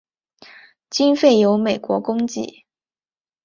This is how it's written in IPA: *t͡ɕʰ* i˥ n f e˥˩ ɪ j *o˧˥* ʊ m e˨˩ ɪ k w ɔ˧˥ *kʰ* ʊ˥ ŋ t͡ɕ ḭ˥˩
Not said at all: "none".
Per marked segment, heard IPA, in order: t͡ɕ, o˧˥, k

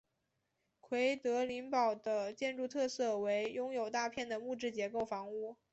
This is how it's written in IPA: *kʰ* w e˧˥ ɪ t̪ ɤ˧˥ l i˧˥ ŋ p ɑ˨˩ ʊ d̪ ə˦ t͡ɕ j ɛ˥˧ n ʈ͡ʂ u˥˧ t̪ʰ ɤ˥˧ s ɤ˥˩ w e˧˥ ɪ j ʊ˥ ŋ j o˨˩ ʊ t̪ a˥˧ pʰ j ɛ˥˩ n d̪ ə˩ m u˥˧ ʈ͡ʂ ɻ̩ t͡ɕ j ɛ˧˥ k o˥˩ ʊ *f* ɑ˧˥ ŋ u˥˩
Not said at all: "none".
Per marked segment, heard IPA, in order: kʰ, f

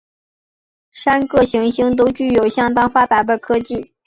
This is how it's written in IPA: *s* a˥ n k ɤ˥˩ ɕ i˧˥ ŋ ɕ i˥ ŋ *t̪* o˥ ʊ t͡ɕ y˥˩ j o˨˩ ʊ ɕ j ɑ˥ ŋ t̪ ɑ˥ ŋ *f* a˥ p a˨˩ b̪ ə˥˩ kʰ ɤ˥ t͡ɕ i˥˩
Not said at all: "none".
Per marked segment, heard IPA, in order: ʂ, t̪, f

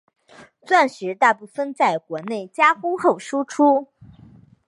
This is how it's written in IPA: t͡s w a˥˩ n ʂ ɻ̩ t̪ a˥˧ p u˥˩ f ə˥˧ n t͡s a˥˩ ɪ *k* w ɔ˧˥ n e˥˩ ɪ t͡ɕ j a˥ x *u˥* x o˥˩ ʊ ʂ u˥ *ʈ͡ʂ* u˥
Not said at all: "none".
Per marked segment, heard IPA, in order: k, u˥, ʈ͡ʂʰ

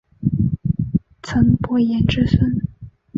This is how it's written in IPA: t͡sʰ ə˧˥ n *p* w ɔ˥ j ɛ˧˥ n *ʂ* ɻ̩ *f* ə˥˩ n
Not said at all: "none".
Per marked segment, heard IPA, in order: p, ʈ͡ʂ, s

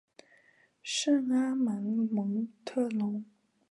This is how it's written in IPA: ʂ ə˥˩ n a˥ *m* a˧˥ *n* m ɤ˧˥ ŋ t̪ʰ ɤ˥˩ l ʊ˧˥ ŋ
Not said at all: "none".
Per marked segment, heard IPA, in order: m, n

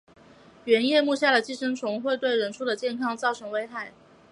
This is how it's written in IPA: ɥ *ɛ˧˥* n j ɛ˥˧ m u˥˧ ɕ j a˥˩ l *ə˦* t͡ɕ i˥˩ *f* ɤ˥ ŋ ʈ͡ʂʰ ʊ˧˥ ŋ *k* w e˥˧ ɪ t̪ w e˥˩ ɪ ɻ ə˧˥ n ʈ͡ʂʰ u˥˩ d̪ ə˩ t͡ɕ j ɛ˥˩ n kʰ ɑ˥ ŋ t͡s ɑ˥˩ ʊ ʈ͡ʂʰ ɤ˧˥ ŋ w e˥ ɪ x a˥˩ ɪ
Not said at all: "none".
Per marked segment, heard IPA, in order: ɛ˧˥, ə˩, ʂ, x

